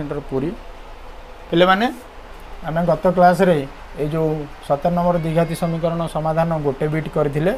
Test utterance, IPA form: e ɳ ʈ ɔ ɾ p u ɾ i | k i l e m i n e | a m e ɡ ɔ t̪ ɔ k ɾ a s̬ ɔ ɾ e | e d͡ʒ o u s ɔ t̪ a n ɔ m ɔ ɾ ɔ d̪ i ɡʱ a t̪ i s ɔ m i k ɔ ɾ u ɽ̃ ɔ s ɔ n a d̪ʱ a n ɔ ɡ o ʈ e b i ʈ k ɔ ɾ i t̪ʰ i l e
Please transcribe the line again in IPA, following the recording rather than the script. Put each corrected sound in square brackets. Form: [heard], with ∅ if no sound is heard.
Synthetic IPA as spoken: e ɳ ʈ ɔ ɾ p u ɾ i | k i l e m [a] n e | a m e ɡ ɔ t̪ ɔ k [l] a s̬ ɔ ɾ e | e d͡ʒ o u s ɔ t̪ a n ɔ m ɔ ɾ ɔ d̪ i ɡʱ a t̪ i s ɔ m i k ɔ ɾ [ɔ] ɽ̃ ɔ s ɔ [m] a d̪ʱ a n ɔ ɡ o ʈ e b i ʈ k ɔ ɾ i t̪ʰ i l e